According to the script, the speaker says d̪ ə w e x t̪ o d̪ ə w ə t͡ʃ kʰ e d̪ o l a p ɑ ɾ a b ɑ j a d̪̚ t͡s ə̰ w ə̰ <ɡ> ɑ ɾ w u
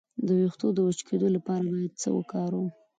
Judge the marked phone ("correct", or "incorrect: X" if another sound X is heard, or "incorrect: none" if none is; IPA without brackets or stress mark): incorrect: k